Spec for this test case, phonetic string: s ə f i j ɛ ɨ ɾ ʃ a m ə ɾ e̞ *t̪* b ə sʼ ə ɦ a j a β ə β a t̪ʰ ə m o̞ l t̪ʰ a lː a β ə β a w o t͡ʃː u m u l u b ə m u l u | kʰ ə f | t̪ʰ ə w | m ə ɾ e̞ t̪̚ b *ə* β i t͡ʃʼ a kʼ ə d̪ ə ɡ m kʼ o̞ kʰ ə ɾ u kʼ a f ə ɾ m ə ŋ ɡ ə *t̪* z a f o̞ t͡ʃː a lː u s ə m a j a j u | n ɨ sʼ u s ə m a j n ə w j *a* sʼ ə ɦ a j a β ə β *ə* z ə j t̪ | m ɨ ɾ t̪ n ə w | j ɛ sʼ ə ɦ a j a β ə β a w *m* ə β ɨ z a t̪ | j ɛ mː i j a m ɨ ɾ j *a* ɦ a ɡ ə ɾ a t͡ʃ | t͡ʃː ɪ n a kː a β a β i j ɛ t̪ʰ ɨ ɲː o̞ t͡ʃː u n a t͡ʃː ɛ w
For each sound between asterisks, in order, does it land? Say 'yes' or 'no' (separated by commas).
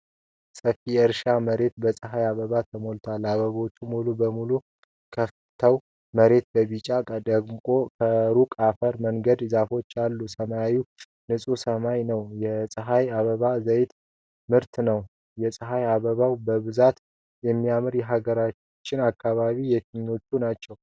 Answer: yes, yes, no, no, no, no, no